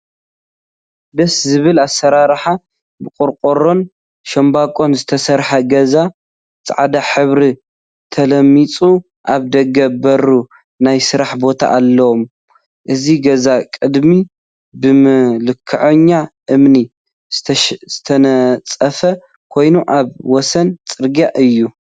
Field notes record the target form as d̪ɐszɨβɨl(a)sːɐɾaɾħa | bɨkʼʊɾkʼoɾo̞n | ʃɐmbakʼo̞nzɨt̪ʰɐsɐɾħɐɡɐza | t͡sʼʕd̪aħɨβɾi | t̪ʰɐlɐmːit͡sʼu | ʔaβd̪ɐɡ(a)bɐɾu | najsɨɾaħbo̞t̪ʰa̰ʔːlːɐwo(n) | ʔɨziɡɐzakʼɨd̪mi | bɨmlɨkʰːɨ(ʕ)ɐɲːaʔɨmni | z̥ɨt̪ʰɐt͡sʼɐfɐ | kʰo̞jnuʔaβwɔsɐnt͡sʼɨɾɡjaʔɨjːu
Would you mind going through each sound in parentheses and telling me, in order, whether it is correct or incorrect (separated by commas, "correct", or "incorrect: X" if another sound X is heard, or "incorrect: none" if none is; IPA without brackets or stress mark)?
correct, incorrect: ɐ, incorrect: m, correct